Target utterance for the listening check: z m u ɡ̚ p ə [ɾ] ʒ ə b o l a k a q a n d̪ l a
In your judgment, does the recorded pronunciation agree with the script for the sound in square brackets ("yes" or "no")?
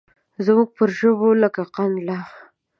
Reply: yes